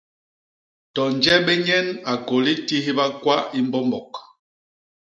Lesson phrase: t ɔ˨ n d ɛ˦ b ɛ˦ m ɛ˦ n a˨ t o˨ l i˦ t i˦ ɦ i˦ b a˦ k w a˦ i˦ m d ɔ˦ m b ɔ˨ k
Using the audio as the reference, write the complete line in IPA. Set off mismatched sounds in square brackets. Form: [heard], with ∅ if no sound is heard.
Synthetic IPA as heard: t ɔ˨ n [d͡ʒ] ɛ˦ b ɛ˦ [ɲ] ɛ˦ n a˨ [k] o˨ l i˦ t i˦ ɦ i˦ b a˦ k w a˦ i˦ m [b] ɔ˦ m b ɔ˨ k

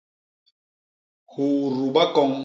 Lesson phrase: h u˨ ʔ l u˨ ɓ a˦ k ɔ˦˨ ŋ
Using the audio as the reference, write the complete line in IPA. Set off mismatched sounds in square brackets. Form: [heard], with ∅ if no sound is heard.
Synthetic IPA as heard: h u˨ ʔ [ɾ] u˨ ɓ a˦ k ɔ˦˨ ŋ

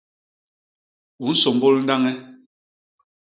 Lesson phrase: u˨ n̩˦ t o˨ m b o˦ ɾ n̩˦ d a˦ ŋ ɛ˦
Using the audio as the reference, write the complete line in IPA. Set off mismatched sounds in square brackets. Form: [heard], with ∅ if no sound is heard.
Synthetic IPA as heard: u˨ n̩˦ [s] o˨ m b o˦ [l] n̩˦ d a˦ ŋ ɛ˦

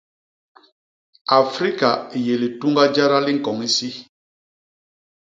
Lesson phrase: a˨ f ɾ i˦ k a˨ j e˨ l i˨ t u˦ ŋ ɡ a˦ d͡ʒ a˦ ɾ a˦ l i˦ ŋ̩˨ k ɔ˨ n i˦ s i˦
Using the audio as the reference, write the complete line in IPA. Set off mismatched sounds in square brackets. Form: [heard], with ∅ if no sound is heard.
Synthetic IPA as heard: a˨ f ɾ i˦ k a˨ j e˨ l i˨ t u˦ ŋ ɡ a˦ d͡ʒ a˦ ɾ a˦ l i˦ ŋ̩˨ k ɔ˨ [ŋ] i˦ s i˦

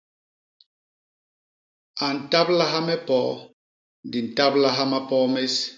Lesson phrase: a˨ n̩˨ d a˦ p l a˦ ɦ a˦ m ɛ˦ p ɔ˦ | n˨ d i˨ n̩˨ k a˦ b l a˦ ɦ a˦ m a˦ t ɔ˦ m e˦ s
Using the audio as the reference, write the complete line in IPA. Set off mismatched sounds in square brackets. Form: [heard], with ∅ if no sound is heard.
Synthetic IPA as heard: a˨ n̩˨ [t] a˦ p l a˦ ɦ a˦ m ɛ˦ p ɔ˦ | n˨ d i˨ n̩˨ [t] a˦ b l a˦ ɦ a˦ m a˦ [p] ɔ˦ m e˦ s

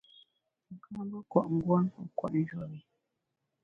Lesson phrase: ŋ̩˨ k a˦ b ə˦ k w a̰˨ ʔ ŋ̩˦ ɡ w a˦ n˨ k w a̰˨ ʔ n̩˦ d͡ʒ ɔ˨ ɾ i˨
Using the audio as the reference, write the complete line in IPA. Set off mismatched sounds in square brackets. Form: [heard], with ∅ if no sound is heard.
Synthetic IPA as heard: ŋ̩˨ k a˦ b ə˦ k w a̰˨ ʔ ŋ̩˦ ɡ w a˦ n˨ k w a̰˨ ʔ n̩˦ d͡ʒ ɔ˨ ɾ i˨

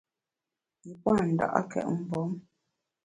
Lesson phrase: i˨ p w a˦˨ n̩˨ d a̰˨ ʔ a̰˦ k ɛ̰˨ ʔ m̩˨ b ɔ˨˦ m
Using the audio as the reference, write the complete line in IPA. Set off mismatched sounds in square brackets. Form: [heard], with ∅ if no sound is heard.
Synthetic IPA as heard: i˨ p w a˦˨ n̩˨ d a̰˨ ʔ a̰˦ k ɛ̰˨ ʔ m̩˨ b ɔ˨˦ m

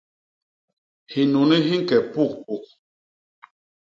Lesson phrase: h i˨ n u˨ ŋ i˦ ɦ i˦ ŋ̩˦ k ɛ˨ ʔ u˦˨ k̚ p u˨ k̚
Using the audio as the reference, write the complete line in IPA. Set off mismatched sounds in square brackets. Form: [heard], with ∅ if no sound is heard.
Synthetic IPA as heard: h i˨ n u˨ [n] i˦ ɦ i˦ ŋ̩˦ k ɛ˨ [p] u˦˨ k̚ p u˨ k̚

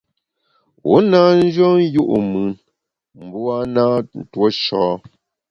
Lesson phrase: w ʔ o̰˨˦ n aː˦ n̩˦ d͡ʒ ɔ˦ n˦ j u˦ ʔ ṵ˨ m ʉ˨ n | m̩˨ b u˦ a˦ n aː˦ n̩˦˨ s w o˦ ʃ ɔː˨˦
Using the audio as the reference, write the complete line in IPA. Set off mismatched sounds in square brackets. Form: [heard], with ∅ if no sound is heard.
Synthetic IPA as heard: w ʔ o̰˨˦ n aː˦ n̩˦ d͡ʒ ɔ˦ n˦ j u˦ ʔ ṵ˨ m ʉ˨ n | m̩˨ b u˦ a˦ n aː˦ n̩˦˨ [t] w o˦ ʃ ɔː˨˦

